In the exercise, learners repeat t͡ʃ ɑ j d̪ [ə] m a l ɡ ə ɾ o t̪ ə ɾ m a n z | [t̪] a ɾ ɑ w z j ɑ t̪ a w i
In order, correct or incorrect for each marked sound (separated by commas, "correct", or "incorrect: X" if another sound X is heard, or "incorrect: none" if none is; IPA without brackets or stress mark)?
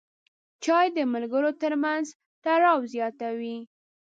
correct, correct